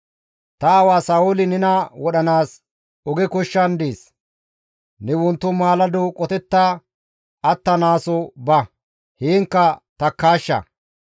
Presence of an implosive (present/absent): present